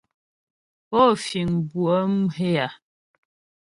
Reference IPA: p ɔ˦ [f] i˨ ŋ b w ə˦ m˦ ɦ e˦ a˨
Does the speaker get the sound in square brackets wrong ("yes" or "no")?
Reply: no